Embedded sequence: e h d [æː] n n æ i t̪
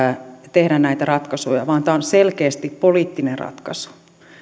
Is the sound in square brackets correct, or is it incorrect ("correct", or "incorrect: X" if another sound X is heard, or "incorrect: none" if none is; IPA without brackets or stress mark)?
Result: incorrect: æ